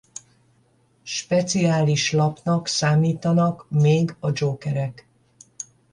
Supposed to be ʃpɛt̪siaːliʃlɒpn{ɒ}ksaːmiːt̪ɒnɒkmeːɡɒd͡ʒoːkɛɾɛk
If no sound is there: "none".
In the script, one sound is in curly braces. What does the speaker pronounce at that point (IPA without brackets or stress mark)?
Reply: ɒ